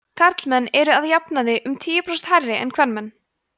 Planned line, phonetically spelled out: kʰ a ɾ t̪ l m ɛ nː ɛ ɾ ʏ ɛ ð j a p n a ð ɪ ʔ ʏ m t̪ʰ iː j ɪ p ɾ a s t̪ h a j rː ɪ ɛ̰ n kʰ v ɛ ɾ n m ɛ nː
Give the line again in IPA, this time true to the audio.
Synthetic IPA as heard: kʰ a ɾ t̪ l m ɛ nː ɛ ɾ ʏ a ð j a p n a ð ɪ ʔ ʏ m t̪ʰ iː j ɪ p ɾ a s t̪ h a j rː ɪ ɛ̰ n kʰ v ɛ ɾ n m ɛ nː